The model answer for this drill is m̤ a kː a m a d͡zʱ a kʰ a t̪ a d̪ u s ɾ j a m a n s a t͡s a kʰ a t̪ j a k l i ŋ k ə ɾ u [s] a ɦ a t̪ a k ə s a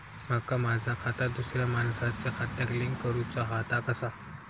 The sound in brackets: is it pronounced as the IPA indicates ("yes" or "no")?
no